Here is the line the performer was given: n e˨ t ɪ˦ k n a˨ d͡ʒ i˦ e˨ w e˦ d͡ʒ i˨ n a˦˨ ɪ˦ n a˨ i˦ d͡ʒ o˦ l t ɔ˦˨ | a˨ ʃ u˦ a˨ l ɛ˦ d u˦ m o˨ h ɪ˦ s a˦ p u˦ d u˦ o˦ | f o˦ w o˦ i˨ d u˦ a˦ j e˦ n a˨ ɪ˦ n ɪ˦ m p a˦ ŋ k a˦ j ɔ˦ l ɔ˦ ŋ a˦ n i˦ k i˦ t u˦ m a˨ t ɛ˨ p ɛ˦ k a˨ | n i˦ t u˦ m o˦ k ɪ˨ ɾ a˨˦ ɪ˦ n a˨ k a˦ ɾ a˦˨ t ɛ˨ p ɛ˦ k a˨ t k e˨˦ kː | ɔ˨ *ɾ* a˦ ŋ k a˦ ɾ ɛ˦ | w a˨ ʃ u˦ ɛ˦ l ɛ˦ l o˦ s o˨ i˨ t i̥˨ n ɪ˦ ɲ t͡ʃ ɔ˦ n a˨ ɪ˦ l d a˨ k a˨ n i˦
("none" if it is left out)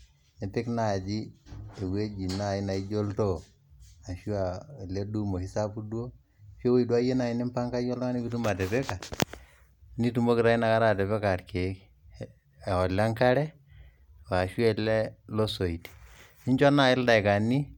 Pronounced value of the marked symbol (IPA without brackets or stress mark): l